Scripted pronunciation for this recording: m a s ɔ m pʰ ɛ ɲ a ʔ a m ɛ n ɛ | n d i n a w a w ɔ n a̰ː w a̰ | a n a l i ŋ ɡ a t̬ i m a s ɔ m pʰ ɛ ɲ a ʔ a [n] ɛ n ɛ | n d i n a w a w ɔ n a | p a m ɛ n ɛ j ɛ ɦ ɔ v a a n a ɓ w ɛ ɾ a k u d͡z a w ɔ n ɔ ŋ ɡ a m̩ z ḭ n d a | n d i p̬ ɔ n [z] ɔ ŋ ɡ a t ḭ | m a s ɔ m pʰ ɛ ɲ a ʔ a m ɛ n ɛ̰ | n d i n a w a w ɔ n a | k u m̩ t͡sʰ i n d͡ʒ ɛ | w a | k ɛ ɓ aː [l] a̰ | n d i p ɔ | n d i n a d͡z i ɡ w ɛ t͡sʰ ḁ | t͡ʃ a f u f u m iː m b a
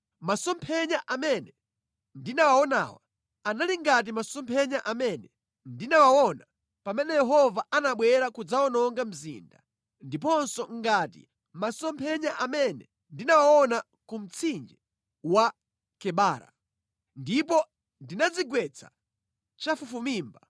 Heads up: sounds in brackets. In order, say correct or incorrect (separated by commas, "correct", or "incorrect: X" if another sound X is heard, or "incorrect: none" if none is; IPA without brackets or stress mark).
incorrect: m, incorrect: s, incorrect: ɾ